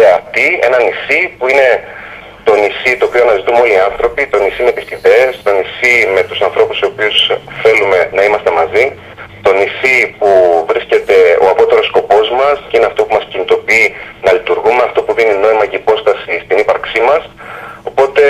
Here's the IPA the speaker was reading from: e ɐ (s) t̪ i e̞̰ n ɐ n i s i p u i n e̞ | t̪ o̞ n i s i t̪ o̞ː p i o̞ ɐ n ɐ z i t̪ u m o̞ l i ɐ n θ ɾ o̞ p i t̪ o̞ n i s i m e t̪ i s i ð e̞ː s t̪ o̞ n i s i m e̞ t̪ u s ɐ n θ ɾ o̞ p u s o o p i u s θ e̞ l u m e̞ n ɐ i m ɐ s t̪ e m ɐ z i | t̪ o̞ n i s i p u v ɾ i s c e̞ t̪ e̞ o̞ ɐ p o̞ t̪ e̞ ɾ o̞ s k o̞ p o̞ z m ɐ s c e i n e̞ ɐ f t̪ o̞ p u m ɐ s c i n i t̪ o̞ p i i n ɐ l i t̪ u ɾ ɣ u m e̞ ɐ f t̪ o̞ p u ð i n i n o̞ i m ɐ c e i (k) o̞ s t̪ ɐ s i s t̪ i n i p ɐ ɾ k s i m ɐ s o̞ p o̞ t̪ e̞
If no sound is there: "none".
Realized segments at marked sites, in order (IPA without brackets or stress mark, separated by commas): f, p